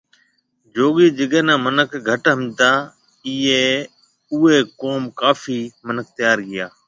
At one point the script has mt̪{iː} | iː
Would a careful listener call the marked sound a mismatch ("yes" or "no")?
yes